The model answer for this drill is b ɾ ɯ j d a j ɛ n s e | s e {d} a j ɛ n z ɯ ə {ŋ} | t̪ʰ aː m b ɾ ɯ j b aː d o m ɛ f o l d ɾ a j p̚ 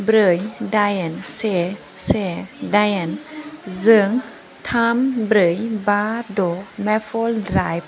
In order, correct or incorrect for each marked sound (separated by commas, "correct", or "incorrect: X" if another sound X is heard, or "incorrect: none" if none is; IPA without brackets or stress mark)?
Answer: correct, correct